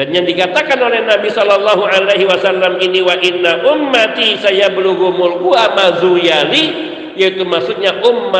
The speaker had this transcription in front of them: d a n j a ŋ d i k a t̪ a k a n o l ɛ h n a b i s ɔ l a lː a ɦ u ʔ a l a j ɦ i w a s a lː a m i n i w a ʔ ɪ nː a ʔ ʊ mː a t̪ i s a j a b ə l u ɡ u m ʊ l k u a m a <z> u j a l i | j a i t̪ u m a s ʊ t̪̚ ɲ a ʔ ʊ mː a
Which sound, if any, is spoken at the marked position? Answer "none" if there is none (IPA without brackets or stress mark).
z